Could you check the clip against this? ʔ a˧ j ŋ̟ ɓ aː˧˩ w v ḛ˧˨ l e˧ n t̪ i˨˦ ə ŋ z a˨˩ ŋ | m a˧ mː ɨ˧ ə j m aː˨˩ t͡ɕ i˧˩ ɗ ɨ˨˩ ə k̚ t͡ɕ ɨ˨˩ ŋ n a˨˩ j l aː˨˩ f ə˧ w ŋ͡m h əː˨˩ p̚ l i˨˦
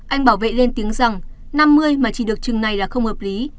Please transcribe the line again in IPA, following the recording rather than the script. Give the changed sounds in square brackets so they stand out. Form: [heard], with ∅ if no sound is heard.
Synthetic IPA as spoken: ʔ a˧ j ŋ̟ ɓ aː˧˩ w v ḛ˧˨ l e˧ n t̪ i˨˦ ə ŋ z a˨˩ ŋ | [n] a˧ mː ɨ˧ ə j m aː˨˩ t͡ɕ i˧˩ ɗ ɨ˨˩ ə k̚ t͡ɕ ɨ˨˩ ŋ n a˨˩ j l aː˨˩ [x] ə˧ w ŋ͡m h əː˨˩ p̚ l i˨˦